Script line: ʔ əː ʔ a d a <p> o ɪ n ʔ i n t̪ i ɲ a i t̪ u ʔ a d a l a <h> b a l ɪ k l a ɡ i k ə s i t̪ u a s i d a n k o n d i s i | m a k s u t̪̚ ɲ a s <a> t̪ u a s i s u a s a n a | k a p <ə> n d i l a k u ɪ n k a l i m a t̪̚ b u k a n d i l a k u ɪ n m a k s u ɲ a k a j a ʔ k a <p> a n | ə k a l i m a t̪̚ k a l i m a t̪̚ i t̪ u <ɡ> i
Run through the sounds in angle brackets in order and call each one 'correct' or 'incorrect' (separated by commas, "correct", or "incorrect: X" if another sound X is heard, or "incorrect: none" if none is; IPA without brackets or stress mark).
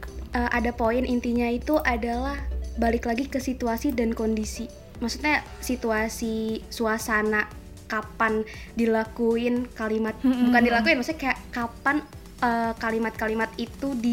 correct, correct, incorrect: i, incorrect: a, correct, incorrect: d